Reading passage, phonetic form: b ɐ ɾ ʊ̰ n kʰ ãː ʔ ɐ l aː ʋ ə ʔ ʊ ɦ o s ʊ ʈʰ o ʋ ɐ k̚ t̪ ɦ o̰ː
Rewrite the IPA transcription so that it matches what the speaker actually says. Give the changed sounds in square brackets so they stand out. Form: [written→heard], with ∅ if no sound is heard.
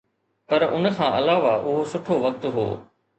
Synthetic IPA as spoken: [b→p] ɐ ɾ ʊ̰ n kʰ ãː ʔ ɐ l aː ʋ [ə→a] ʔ ʊ ɦ o s ʊ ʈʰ o ʋ ɐ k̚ t̪ ɦ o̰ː